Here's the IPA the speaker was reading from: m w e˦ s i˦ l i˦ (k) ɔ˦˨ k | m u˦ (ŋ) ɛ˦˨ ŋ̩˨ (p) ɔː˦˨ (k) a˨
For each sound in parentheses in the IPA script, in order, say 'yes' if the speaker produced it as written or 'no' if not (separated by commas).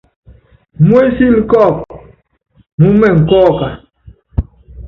yes, no, no, yes